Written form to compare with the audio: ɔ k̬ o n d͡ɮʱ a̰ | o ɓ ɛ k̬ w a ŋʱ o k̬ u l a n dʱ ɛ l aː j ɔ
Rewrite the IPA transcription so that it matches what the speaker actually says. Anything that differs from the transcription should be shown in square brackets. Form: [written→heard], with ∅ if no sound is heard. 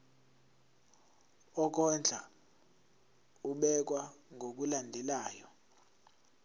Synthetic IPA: ɔ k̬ [o→ɔ] n d͡ɮʱ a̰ | [o→u] ɓ ɛ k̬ w a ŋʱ o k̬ u l a n dʱ ɛ l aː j ɔ